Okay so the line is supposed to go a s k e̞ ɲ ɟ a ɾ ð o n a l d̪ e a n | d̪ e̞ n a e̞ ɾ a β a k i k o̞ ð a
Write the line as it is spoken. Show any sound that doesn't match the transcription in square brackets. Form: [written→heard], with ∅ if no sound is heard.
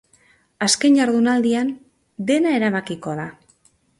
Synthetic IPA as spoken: a s k e̞ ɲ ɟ a ɾ ð [o→u] n a l d̪ [e→i] a n | d̪ e̞ n a e̞ ɾ a β a k i k o̞ ð a